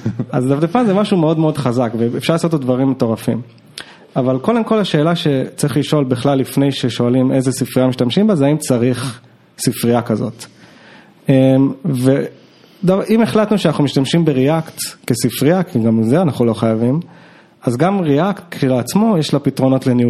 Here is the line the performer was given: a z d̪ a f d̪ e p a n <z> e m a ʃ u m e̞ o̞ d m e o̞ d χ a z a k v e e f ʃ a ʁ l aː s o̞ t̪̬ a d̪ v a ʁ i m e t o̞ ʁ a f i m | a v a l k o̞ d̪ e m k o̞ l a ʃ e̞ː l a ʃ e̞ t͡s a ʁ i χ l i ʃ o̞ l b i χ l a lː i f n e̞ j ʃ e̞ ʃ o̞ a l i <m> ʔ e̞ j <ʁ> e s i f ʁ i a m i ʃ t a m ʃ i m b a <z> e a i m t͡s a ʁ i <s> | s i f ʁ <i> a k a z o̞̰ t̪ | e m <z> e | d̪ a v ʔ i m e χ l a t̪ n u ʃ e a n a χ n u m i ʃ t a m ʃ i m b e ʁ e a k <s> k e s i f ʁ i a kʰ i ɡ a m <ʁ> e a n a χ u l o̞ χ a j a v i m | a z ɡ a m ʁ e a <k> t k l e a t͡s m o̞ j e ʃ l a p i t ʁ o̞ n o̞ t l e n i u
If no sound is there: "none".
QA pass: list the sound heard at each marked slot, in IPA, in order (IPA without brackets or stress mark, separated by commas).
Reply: z, m, z, z, χ, i, v, t, z, k